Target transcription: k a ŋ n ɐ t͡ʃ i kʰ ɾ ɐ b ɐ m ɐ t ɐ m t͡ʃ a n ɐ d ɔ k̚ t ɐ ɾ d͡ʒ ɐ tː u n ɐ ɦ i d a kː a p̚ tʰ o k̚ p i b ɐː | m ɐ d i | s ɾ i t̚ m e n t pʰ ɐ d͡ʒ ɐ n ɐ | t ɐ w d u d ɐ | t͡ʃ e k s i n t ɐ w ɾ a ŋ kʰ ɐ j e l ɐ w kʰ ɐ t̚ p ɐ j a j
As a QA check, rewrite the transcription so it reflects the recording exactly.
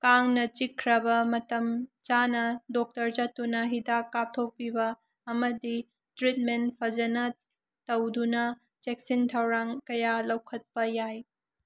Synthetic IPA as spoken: k a ŋ n ɐ t͡ʃ i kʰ ɾ ɐ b ɐ m ɐ t ɐ m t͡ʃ a n ɐ d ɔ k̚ t ɐ ɾ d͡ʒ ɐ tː u n ɐ ɦ i d a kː a p̚ tʰ o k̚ p i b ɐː | m ɐ d i | t ɾ i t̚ m e n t pʰ ɐ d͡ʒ ɐ n ɐ | t ɐ w d u n ɐ | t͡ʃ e k s i n tʰ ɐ w ɾ a ŋ k ɐ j a l ɐ w kʰ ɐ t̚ p ɐ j a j